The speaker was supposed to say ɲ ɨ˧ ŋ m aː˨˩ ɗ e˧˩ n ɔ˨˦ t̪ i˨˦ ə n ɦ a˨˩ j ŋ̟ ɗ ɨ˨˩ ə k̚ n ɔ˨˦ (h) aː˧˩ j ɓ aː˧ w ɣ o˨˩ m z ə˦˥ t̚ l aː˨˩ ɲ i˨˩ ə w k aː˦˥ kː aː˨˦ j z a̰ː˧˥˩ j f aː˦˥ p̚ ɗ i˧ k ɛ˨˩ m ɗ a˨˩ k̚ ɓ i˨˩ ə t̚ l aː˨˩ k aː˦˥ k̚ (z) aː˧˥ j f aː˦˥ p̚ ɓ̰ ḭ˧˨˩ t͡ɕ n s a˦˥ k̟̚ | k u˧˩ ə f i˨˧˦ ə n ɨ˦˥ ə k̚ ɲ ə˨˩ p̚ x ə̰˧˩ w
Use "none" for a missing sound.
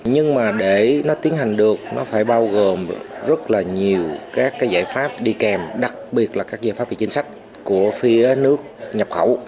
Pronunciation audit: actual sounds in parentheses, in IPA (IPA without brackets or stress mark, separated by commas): f, z